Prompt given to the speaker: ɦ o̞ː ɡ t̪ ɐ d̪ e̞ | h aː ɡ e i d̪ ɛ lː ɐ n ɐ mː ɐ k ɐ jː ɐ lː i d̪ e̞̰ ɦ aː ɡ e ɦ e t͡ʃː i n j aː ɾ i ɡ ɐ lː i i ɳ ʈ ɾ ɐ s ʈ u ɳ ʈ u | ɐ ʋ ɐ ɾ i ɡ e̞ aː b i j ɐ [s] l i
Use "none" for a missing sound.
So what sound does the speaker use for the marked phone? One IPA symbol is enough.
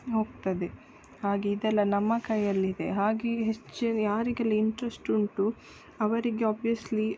s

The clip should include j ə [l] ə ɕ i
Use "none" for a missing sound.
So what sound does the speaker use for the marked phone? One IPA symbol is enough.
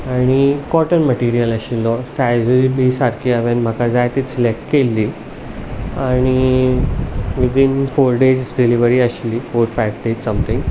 l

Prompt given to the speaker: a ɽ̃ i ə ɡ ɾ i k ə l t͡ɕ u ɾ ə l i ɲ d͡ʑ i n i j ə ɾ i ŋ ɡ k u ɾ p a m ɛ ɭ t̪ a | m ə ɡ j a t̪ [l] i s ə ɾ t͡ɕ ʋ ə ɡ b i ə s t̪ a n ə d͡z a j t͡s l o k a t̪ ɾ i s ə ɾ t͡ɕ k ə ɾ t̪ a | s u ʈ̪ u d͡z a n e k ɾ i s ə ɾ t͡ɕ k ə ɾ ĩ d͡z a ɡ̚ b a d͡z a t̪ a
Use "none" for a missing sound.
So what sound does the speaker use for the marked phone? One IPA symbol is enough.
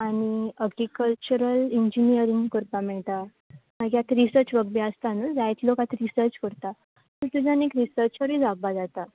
ɾ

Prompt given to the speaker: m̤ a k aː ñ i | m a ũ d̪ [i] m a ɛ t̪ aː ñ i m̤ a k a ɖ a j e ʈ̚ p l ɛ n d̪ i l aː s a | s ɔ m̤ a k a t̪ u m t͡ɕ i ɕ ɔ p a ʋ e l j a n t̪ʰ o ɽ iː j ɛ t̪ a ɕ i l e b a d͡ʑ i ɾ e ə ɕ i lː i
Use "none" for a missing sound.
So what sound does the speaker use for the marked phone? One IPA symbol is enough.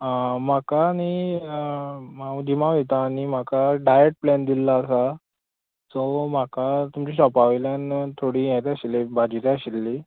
i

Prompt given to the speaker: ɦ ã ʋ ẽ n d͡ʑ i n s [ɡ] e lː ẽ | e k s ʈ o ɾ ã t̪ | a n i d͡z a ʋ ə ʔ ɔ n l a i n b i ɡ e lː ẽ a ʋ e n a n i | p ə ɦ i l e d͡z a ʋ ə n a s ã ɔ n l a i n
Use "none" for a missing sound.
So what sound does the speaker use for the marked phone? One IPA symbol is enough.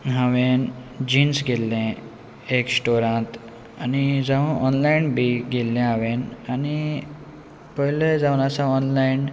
ɡ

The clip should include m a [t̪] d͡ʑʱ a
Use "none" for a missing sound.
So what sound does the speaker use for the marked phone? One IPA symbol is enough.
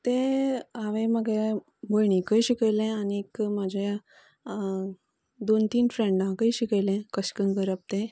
none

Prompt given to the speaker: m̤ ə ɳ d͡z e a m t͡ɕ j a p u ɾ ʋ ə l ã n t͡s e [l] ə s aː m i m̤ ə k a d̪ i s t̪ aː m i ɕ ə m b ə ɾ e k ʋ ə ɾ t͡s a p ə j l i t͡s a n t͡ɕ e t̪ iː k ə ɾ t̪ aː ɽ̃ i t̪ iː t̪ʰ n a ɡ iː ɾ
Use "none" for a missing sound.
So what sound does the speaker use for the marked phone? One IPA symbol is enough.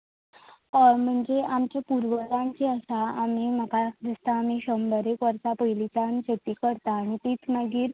none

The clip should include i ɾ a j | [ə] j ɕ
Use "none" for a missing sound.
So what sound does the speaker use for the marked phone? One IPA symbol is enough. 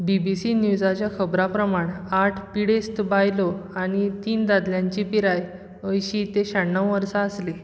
ə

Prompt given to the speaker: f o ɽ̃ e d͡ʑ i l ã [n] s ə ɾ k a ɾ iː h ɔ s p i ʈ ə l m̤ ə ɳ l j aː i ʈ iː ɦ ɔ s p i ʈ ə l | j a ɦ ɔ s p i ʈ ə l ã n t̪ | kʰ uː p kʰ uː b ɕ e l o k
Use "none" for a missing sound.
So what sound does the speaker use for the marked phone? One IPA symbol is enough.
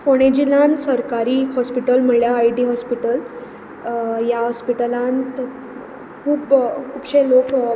n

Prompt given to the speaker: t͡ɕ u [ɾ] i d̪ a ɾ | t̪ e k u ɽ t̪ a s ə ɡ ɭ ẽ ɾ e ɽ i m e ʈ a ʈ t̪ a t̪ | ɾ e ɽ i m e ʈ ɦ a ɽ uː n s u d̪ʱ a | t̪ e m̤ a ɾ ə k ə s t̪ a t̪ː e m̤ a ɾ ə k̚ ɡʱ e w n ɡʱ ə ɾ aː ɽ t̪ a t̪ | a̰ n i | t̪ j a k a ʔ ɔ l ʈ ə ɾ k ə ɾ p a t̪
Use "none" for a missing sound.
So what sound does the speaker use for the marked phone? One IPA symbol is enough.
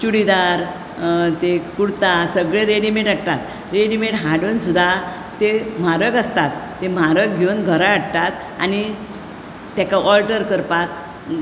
ɽ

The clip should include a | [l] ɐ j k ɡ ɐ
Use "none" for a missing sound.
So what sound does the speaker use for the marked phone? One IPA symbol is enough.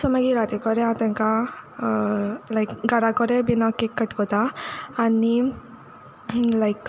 l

